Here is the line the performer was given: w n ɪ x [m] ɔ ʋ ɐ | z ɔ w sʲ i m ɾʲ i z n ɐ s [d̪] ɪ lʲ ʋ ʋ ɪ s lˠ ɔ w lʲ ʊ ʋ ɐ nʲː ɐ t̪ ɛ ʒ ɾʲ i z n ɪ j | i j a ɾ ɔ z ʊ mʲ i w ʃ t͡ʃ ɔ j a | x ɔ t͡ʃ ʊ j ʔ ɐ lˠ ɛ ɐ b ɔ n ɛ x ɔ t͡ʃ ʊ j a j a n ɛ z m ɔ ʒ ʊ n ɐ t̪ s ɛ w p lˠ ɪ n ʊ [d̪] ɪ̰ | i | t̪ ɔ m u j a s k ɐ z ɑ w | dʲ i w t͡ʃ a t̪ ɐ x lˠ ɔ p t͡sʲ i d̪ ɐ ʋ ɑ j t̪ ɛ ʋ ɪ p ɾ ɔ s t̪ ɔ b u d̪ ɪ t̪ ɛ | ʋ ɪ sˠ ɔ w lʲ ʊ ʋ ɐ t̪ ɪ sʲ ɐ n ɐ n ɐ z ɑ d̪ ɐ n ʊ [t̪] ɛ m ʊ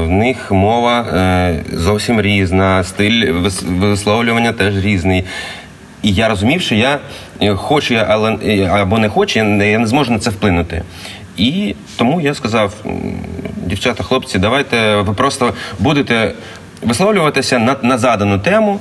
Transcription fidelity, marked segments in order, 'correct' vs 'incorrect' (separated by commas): correct, incorrect, incorrect, correct